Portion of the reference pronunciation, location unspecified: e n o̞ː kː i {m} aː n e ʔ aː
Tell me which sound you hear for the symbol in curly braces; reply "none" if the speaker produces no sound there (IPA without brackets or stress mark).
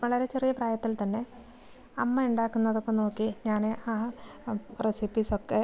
ɲ